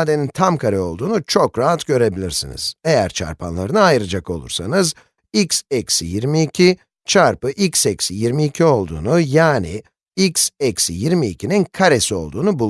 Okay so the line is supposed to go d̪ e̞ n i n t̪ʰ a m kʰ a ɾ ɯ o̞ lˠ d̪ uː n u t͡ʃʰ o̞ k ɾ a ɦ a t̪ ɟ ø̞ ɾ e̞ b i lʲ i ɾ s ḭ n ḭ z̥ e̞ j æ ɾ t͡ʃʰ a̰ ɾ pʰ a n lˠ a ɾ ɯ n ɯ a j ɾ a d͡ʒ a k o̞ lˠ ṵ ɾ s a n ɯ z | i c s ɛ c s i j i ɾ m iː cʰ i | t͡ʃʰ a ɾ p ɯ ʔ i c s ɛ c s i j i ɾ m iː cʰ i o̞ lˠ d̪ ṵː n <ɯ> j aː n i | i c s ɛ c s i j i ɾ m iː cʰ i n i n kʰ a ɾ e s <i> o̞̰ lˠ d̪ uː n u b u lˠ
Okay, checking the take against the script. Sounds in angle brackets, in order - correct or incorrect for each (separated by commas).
incorrect, correct